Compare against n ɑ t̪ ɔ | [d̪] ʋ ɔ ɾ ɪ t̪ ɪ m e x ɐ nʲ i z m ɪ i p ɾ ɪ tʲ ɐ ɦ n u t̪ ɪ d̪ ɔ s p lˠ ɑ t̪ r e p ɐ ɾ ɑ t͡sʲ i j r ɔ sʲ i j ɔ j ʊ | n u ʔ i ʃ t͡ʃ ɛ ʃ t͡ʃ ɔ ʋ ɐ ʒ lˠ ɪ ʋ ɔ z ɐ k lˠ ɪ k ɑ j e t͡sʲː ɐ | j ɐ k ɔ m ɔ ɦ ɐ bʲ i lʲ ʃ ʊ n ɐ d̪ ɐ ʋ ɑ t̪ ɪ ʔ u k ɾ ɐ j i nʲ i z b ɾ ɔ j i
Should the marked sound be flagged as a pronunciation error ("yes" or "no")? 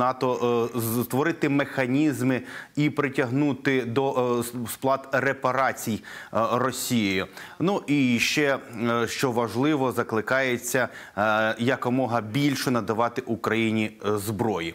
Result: yes